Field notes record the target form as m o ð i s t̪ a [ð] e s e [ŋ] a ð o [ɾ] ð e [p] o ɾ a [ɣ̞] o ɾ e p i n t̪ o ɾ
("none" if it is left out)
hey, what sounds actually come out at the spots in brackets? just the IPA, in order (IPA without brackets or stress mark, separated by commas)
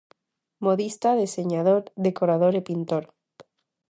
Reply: ð, ɲ, ɾ, k, ð̞